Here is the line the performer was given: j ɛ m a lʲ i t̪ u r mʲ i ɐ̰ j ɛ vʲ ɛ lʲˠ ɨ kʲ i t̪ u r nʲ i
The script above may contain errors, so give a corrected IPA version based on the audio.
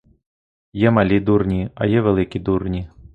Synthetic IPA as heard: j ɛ m a lʲ i d̪ u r nʲ i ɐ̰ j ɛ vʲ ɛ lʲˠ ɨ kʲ i d̪ u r nʲ i